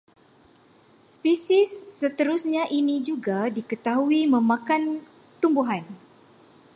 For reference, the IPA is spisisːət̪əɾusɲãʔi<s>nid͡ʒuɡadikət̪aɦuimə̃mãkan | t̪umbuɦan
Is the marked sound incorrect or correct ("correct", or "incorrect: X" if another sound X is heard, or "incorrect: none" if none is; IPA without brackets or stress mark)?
incorrect: none